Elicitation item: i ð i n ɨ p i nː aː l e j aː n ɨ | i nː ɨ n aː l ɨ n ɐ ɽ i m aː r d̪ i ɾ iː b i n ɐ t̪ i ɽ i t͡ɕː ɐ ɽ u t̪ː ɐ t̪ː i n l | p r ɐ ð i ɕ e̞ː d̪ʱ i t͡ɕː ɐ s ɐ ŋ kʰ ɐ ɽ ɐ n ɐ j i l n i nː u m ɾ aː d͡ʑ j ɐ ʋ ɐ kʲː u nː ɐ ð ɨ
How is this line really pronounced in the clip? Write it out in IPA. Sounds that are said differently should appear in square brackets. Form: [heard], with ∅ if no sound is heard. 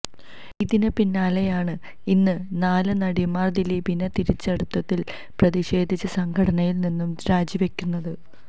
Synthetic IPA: i ð i n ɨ p i nː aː l e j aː [ɳ] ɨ | i nː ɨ n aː l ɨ n ɐ ɽ i m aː r d̪ i [l] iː b i n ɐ t̪ i [ɾ] i t͡ɕː ɐ ɽ u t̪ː ɐ t̪ː i [∅] l | p r ɐ ð i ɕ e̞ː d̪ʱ i t͡ɕː ɐ s ɐ ŋ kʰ ɐ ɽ ɐ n ɐ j i l n i nː u m ɾ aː d͡ʑ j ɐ ʋ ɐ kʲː u nː ɐ ð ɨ